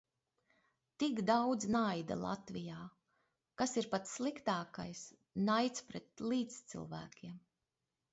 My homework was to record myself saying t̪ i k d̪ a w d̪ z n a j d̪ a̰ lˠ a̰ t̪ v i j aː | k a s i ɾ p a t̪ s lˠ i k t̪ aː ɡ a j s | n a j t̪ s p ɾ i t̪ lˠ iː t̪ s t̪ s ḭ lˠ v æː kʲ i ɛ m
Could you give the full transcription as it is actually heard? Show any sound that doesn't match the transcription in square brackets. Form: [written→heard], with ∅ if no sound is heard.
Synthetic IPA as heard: t̪ i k d̪ a w d̪ z n a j d̪ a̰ lˠ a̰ t̪ v i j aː | k a s i ɾ p a t̪ s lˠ i k t̪ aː [ɡ→k] a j s | n a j t̪ s p ɾ [i→ɛ] t̪ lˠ iː t̪ s t̪ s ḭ lˠ v æː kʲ i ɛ m